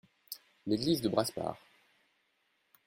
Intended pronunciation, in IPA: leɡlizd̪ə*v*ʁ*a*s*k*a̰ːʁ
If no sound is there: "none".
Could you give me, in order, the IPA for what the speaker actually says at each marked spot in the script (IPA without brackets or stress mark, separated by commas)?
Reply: b, a, p